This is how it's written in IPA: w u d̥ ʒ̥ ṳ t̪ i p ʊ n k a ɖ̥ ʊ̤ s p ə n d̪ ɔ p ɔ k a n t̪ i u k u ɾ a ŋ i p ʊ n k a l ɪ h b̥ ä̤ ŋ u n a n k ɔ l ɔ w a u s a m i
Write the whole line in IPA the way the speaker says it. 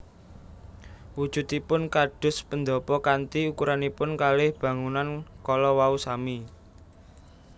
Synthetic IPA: w u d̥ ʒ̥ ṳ t̪ i p ʊ n k a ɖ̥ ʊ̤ s p ə n d̪ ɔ p ɔ k a n t̪ i u k u ɾ a n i p ʊ n k a l ɪ h b̥ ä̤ ŋ u n a n k ɔ l ɔ w a u s a m i